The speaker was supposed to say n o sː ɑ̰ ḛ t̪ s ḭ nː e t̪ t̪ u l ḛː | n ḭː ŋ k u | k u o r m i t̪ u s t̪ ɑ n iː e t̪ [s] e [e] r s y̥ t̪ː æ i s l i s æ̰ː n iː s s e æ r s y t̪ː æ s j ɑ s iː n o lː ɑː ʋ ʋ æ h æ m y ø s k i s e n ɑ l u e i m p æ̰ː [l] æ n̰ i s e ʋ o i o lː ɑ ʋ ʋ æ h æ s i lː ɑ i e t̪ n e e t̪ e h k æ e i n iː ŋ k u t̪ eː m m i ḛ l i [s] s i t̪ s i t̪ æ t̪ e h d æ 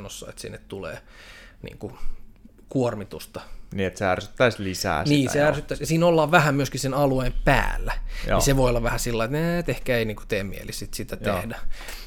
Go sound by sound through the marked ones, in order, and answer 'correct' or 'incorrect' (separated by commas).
correct, incorrect, incorrect, correct